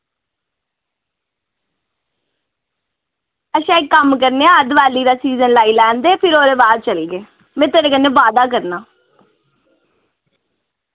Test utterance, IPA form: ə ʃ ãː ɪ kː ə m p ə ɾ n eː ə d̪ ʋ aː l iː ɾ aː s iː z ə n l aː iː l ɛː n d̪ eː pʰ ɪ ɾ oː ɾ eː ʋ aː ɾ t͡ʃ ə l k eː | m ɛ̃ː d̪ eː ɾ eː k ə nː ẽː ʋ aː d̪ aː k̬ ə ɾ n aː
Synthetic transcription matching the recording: ə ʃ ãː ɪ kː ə m k ə ɾ n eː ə d̪ ʋ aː l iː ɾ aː s iː z ə n l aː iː l ɛː n d̪ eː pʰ ɪ ɾ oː ɾ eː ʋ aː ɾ t͡ʃ ə l ɡ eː | m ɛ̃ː t̪ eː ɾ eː k ə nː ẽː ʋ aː d̪ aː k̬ ə ɾ n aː